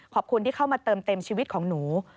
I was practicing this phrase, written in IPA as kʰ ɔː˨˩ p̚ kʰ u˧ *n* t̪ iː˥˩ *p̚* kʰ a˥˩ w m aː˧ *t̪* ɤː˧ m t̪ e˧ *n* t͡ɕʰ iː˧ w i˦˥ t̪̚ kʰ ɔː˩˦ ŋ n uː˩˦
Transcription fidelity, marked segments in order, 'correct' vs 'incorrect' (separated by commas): correct, incorrect, correct, incorrect